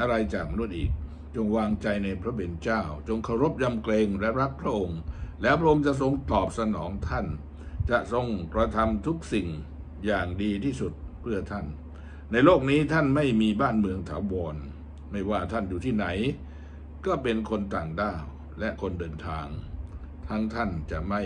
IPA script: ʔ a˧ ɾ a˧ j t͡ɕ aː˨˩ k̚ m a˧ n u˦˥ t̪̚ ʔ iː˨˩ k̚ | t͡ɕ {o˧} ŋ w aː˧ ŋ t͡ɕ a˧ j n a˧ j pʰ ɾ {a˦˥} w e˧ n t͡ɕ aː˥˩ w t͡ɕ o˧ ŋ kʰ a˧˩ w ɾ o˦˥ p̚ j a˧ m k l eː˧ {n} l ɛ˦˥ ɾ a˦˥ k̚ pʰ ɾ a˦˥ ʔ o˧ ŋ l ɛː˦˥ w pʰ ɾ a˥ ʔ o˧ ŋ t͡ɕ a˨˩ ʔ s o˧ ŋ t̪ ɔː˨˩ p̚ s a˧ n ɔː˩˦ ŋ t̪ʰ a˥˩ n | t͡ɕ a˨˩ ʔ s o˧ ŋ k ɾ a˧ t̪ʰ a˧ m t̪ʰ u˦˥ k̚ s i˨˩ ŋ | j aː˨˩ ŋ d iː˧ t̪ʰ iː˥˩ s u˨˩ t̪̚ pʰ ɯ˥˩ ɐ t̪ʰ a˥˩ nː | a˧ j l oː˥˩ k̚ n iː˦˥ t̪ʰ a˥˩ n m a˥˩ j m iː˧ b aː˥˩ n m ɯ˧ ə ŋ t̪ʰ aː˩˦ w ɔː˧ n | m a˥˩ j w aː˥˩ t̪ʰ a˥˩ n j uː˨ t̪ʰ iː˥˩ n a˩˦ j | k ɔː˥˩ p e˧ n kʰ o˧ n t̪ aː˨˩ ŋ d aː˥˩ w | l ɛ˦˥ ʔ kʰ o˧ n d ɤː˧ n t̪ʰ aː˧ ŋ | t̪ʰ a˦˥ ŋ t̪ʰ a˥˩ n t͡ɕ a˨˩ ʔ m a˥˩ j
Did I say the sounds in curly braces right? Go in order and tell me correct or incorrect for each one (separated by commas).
correct, correct, incorrect